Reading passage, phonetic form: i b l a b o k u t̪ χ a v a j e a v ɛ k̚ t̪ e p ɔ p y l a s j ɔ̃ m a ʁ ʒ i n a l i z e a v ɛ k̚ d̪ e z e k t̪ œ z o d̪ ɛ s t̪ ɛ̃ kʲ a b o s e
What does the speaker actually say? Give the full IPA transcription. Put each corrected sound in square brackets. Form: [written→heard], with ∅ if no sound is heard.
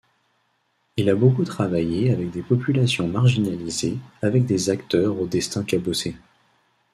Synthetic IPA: i [b→∅] l a b o k u t̪ χ a v a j e a v ɛ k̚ [t̪→d̪] e p ɔ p y l a s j ɔ̃ m a ʁ ʒ i n a l i z e a v ɛ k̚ d̪ e z [e→a] k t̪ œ [z→ʁ] o d̪ ɛ s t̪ ɛ̃ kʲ a b o s e